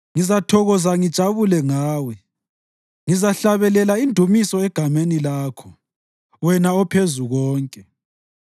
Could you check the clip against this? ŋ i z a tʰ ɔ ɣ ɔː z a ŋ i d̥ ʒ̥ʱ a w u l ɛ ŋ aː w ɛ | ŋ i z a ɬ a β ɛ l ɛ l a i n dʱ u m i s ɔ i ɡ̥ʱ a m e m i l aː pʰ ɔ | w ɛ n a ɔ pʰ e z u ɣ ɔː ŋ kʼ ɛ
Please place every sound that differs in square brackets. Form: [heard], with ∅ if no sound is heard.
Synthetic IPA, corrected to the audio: ŋ i z a tʰ ɔ ɣ [ɔ] z a ŋ i d̥ ʒ̥ʱ a [β] u l ɛ ŋ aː w ɛ | ŋ i z a ɬ a β ɛ l ɛ l a i n dʱ u m i s ɔ [ɛ] ɡ̥ʱ a m e [n] i l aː [kʰ] ɔ | w ɛ n a ɔ pʰ e z u ɣ ɔː ŋ kʼ ɛ